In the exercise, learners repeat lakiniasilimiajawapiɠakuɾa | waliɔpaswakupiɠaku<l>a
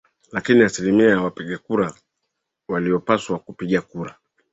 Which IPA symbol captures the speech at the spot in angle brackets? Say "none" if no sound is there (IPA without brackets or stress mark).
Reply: ɾ